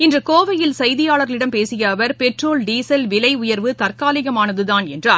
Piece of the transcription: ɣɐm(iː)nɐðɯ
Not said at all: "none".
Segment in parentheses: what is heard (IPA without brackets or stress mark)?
aː